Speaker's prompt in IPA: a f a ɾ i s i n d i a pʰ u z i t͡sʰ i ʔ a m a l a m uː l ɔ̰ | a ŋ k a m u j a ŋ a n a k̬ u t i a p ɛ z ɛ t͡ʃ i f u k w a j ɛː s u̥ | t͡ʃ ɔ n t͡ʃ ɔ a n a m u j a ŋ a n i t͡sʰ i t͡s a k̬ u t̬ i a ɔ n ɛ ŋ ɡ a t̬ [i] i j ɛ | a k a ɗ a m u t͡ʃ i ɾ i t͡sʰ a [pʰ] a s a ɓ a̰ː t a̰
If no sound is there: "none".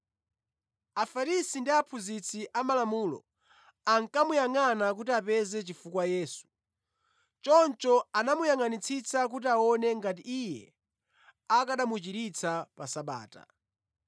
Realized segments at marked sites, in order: i, p

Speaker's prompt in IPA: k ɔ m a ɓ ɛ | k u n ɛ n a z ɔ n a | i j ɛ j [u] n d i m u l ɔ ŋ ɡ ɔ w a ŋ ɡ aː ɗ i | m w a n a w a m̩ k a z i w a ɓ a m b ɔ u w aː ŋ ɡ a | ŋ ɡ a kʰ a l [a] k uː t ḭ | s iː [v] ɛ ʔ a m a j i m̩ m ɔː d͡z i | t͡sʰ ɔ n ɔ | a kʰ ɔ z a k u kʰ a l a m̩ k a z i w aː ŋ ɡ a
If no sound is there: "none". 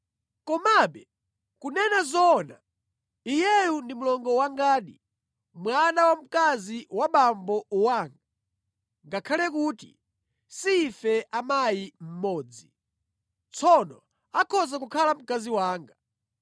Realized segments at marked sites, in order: u, ɛ, f

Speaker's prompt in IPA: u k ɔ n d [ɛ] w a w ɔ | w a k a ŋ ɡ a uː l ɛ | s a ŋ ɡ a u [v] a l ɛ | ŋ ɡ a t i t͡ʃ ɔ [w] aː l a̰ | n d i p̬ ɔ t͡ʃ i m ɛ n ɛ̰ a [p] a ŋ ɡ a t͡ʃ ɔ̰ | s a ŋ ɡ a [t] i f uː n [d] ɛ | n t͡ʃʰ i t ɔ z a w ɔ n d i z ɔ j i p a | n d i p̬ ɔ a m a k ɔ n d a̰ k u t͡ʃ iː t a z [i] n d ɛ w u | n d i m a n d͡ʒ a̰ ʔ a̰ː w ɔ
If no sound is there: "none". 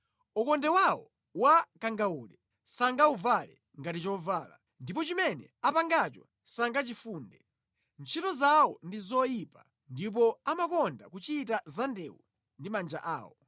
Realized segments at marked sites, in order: ɛ, v, v, p, t͡ʃ, d, a

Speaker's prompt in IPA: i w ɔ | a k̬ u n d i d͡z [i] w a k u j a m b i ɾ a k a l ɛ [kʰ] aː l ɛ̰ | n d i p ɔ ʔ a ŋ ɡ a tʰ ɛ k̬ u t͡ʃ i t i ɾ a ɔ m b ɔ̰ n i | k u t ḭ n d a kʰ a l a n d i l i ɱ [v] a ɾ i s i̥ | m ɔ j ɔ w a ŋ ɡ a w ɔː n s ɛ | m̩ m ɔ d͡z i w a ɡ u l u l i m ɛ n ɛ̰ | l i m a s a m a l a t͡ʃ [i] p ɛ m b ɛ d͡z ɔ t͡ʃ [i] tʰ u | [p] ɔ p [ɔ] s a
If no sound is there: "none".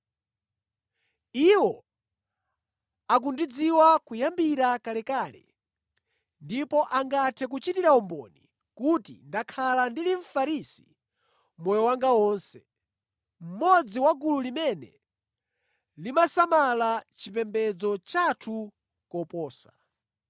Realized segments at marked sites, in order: i, k, f, i, a, k, ɔː

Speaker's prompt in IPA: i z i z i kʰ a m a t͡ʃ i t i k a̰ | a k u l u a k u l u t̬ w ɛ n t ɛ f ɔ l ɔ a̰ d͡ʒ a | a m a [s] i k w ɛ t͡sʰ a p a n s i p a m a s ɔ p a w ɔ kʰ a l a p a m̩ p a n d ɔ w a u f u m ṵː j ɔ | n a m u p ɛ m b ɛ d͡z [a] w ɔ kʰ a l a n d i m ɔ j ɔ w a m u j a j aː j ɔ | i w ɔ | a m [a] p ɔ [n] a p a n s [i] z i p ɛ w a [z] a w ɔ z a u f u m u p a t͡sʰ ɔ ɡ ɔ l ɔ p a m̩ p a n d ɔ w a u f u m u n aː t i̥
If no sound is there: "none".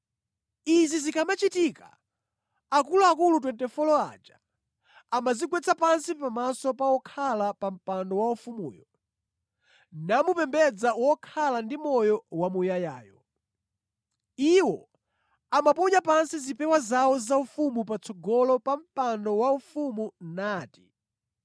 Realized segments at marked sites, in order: z, a, a, ɲ, i, z

